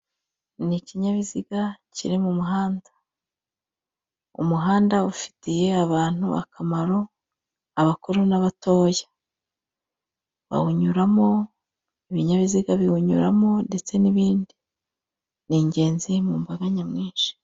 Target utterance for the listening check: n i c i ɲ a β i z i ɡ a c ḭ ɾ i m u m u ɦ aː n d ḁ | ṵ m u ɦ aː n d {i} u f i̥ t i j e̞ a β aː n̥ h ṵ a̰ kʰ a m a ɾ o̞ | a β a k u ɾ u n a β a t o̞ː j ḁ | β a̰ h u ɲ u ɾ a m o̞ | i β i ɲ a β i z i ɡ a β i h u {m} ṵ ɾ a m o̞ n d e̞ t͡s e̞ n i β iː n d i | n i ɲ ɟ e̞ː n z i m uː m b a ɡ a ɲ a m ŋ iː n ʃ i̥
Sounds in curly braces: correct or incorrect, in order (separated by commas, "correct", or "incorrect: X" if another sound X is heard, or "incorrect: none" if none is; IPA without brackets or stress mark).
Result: incorrect: a, incorrect: ɲ